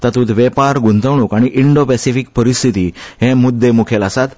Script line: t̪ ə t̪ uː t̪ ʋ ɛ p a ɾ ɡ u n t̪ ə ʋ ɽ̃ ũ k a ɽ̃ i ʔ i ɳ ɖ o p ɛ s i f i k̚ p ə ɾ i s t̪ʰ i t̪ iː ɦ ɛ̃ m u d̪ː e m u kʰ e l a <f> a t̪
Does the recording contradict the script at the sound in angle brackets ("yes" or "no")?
yes